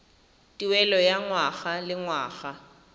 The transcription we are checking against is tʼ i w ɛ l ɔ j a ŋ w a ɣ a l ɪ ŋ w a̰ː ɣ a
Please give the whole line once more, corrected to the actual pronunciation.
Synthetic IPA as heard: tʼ i w ɛ l ɔ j a ŋ w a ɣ a l ɪ ŋ w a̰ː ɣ a